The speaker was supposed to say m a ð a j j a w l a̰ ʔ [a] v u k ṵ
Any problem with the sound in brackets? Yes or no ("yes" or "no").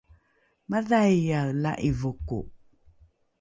yes